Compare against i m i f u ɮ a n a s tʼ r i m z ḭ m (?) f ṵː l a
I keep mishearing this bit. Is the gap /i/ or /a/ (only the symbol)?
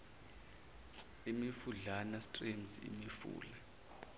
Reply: i